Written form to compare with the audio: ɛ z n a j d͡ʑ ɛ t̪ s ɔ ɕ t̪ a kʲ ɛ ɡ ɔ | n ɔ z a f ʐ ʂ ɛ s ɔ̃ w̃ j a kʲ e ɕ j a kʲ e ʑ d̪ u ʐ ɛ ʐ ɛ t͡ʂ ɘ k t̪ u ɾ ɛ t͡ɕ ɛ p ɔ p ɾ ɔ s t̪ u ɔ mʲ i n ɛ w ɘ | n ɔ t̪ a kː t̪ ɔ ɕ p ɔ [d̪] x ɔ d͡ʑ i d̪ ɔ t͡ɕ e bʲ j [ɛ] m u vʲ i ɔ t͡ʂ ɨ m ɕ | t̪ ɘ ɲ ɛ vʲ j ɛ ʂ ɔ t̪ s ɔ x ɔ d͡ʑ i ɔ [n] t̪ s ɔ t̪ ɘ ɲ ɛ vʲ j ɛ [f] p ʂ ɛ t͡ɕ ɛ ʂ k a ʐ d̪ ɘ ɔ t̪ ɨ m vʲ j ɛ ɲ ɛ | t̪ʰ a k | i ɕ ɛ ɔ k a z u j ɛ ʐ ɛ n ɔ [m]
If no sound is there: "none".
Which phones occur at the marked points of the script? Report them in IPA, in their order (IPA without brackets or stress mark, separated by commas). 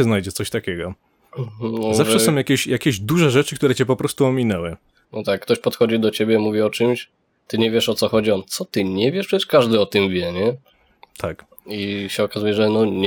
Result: t̪, ɛ, n, ʂ, ɲ